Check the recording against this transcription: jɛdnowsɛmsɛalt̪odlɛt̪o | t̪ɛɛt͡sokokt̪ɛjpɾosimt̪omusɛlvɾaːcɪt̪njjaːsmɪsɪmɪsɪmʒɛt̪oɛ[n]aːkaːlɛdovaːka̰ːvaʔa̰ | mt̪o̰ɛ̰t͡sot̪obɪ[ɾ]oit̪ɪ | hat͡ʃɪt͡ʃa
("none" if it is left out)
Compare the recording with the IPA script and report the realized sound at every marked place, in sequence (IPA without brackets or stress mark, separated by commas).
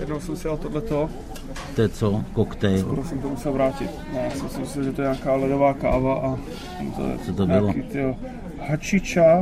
ɲ, l